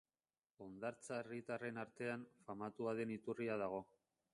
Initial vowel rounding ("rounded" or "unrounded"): rounded